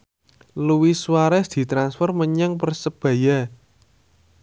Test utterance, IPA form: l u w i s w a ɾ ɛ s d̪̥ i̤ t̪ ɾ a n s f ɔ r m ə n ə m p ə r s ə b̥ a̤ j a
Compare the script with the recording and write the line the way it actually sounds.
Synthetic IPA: l u w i s w a ɾ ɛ s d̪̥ i̤ t̪ ɾ a n s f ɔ r m ə ɲ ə ŋ p ə r s ə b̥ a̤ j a